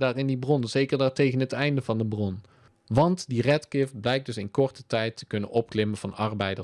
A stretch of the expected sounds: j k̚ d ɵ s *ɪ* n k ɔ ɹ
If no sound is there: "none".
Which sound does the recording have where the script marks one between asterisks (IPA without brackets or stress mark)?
ɪ